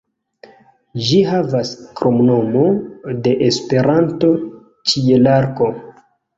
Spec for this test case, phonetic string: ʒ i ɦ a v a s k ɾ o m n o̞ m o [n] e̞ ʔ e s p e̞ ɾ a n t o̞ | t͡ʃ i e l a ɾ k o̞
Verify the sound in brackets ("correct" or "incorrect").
incorrect